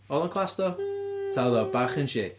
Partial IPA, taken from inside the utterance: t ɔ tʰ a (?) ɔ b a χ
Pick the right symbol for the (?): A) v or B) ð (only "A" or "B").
B